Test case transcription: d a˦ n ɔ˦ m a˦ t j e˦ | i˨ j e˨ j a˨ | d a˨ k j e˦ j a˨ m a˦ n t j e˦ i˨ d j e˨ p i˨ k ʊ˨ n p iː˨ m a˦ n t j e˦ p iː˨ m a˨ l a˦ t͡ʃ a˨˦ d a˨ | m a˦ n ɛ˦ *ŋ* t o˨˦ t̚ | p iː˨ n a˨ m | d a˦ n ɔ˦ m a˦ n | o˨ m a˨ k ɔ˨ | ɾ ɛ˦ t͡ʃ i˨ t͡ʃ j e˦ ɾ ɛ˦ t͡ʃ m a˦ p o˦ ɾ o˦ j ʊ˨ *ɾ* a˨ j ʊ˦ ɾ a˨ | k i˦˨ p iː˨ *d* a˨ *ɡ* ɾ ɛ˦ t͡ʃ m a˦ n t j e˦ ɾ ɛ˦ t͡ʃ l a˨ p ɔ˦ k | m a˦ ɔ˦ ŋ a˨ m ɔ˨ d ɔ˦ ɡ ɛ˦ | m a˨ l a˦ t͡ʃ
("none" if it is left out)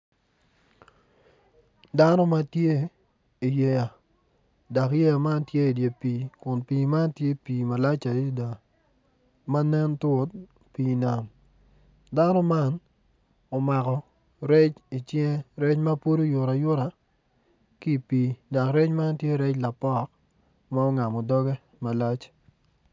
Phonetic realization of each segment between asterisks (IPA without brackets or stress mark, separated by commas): n, ɾ, d, k